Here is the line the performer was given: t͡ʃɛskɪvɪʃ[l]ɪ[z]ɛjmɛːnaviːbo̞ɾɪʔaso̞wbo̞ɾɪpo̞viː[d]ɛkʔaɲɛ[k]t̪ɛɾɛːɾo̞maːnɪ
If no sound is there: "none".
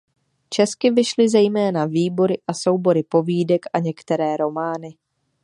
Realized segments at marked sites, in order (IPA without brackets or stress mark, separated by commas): l, z, d, k